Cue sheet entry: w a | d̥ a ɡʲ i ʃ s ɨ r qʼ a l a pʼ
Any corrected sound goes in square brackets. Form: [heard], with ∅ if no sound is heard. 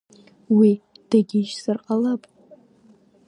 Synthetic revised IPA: w [i] | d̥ a ɡʲ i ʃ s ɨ r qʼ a l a pʼ